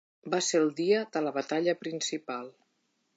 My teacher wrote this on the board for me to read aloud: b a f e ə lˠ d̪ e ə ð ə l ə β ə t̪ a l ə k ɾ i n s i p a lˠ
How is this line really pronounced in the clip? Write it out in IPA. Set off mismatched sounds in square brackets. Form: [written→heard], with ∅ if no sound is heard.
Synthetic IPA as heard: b a [f→s] e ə lˠ d̪ [e→i] ə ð ə l ə β ə t̪ a [l→ʎ] ə [k→p] ɾ i n s i p a lˠ